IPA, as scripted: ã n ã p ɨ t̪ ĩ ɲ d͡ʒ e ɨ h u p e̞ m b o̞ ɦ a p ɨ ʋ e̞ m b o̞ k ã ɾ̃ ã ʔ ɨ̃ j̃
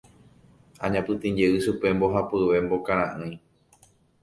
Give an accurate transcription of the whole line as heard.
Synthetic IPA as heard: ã ɲ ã p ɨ t̪ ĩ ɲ d͡ʒ e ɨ ʃ u p e̞ m b o̞ ɦ a p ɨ ʋ e̞ m b o̞ k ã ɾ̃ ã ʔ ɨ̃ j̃